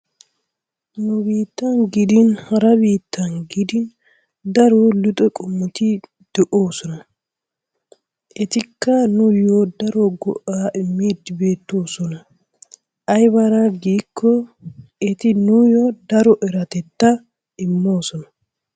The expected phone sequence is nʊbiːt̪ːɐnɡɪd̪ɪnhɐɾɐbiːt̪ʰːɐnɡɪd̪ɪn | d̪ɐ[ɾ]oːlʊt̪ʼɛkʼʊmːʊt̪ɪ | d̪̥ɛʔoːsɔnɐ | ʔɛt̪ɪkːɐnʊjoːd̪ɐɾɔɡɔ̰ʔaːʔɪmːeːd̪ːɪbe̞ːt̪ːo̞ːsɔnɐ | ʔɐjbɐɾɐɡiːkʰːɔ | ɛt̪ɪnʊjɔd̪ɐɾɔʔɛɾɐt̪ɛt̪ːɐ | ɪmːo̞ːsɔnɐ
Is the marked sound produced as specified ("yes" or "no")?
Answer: yes